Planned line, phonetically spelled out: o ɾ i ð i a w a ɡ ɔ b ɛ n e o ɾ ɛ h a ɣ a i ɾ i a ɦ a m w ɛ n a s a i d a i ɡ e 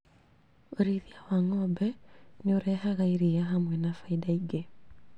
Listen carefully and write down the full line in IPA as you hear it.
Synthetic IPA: o ɾ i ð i a w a ŋ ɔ b ɛ n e o ɾ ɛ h a ɣ a i ɾ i a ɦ a m w ɛ n a f a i d a i ɡ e